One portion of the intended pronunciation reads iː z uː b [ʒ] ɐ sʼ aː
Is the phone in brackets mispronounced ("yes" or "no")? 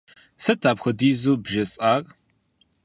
no